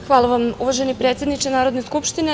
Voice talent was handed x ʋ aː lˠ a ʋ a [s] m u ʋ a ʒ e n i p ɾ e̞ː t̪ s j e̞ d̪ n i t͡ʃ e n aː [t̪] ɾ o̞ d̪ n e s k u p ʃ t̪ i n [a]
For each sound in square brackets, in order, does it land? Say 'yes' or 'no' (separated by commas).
no, no, no